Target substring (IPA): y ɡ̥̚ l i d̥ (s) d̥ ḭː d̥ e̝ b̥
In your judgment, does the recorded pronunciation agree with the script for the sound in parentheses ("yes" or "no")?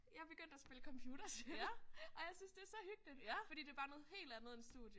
no